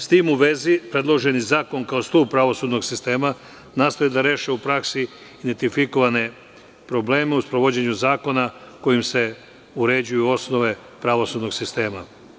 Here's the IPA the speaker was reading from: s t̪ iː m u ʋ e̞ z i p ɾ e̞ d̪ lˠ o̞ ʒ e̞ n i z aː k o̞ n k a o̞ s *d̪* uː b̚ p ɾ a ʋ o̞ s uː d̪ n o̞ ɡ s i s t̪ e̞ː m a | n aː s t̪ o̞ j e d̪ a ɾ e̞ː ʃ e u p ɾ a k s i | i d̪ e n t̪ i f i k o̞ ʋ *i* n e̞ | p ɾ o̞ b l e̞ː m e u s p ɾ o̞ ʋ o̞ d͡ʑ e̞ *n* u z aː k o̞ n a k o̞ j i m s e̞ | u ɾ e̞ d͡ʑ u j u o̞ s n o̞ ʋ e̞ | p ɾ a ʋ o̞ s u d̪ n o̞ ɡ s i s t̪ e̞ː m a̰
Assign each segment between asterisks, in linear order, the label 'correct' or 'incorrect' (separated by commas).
incorrect, incorrect, incorrect